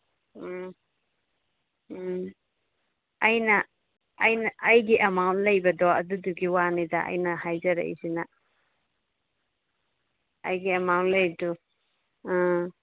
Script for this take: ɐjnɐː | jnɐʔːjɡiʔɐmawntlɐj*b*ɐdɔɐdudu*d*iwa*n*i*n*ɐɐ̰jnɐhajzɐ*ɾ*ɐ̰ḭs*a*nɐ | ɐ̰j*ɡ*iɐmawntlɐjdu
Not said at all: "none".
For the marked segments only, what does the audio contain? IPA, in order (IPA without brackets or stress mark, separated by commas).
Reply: b, ɡ, n, d, ɾ, i, ɡ